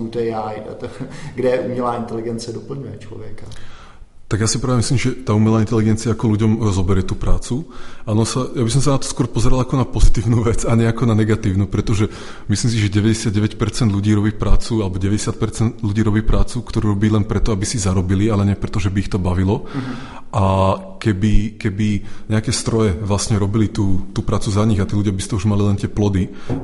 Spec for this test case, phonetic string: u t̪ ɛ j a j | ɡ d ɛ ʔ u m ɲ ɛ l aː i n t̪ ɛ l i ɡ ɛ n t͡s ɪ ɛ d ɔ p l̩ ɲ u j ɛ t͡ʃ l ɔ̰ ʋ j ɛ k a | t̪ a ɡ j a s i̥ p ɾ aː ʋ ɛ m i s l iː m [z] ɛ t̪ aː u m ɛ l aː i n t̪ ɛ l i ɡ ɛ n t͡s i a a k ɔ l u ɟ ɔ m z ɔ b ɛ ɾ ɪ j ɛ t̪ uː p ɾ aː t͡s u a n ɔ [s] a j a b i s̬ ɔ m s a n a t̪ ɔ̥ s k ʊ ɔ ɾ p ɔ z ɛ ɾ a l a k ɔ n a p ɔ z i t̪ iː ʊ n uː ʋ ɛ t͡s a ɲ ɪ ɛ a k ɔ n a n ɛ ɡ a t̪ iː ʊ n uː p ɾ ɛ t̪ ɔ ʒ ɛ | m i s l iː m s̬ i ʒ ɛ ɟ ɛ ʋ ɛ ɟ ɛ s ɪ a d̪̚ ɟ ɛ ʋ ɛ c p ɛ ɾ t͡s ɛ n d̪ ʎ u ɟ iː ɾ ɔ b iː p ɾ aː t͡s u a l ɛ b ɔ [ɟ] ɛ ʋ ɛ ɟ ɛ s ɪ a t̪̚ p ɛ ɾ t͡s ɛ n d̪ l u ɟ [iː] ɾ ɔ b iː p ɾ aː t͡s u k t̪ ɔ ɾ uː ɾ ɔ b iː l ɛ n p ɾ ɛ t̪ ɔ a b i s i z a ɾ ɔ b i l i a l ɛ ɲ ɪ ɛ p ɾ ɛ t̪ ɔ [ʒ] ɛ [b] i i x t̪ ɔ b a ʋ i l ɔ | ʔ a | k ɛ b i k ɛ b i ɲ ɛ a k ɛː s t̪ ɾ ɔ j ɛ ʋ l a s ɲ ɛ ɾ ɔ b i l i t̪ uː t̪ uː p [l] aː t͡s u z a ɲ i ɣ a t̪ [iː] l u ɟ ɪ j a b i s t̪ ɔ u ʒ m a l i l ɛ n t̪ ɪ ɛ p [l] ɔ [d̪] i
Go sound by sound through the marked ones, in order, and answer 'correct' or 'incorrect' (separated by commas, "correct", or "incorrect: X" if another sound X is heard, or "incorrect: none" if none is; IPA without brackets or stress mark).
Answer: incorrect: ʒ, correct, correct, correct, correct, correct, incorrect: ɾ, correct, correct, correct